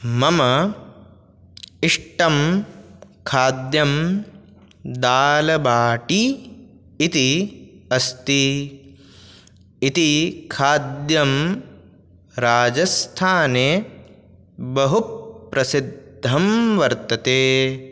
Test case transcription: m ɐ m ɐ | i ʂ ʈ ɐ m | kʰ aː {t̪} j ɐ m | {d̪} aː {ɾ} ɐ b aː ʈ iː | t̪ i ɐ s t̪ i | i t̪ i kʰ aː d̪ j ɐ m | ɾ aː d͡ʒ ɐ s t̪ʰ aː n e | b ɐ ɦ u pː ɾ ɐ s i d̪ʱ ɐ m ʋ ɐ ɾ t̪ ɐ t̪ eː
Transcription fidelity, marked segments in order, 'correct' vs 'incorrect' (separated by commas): incorrect, correct, incorrect